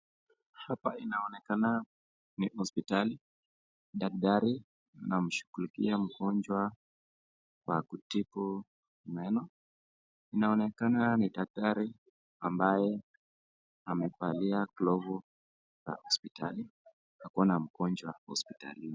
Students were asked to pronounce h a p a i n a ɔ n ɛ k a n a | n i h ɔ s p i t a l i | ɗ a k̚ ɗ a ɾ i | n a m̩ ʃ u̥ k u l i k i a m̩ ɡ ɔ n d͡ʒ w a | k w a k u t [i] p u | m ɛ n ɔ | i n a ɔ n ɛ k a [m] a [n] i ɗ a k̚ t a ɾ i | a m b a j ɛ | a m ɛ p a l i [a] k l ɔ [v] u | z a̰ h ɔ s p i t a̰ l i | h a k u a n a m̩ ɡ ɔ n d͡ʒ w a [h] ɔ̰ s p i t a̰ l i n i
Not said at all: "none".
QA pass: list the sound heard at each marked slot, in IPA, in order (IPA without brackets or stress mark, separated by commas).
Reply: i, n, n, a, v, h